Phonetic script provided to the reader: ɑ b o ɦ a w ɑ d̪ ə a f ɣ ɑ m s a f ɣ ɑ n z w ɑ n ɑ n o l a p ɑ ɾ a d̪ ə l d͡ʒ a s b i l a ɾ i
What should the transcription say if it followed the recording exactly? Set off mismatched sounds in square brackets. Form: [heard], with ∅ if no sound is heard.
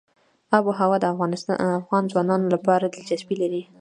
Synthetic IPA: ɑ b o ɦ a w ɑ d̪ ə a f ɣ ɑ [n] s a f ɣ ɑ n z w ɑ n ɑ n o l a p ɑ ɾ a d̪ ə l d͡ʒ a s b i l a ɾ i